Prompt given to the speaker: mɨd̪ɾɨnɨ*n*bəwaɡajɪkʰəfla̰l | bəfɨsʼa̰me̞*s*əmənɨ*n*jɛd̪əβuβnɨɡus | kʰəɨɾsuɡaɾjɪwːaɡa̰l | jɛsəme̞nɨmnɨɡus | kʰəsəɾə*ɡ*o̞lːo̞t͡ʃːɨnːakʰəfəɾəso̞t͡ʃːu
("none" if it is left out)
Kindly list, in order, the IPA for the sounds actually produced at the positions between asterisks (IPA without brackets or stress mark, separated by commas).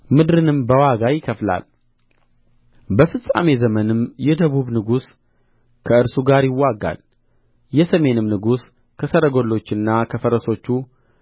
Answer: m, z, m, ɡ